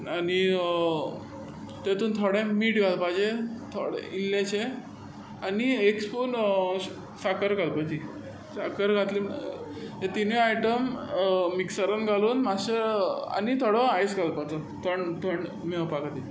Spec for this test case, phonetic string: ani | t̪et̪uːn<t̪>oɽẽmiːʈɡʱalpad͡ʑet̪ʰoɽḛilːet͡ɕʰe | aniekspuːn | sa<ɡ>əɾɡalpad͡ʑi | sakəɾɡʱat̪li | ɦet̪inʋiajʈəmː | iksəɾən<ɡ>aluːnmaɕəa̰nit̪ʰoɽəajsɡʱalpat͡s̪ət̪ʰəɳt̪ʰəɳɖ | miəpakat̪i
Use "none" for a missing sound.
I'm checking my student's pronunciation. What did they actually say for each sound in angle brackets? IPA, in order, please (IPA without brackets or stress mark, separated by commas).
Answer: t̪ʰ, k, ɡ